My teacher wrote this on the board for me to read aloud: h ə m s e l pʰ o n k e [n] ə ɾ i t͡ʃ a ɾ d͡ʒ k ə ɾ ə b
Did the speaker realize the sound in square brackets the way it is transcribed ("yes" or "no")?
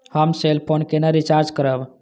yes